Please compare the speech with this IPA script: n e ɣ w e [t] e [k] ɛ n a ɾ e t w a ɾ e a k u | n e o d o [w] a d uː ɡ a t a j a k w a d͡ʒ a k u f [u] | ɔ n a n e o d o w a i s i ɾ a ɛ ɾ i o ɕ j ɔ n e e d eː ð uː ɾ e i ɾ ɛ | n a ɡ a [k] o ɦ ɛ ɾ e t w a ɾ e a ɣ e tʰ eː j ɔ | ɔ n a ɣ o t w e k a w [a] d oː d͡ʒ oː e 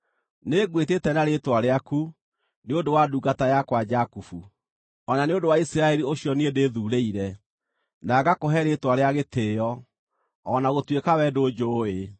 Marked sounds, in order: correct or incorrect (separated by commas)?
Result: correct, incorrect, correct, correct, correct, incorrect